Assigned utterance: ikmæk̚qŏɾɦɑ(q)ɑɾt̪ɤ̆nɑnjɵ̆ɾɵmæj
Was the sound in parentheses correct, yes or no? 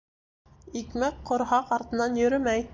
yes